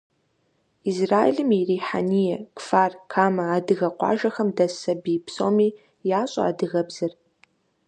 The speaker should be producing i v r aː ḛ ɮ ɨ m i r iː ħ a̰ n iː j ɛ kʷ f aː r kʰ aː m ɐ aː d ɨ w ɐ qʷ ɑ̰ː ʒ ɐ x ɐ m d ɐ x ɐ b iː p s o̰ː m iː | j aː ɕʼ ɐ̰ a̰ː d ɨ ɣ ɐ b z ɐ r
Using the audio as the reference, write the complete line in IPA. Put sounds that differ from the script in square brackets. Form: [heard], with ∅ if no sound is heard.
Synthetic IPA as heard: i [z] r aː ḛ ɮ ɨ m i r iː ħ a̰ n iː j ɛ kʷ f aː r kʰ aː m ɐ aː d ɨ [ɣ] ɐ qʷ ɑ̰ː ʒ ɐ x ɐ m d ɐ [s] ɐ b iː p s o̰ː m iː | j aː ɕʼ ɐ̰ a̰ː d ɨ ɣ ɐ b z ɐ r